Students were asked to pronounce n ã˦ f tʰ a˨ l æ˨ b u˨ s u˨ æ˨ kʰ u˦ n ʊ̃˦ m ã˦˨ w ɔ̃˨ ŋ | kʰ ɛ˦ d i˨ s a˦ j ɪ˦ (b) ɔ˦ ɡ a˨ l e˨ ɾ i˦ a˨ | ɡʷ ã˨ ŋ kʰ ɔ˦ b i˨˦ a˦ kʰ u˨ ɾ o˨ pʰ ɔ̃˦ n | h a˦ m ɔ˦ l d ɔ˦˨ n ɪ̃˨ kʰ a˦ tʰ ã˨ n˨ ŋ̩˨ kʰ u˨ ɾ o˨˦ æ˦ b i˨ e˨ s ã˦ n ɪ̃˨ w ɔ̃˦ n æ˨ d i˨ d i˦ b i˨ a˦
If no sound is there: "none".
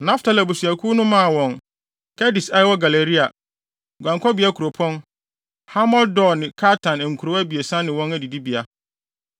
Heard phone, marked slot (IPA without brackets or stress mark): w